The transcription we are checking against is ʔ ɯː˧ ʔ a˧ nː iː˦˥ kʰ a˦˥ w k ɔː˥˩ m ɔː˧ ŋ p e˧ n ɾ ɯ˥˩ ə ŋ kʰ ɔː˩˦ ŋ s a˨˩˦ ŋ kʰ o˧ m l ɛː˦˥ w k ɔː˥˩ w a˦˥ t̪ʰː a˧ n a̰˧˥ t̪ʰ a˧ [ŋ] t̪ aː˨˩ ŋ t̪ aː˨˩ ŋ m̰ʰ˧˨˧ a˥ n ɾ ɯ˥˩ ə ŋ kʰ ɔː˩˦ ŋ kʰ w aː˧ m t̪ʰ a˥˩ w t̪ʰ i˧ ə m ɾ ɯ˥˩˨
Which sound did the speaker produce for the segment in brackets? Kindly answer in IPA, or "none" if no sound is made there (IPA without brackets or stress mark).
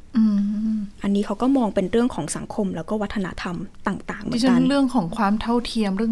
m